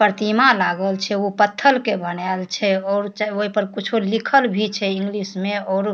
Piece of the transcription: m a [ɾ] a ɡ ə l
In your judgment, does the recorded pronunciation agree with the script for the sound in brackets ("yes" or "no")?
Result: no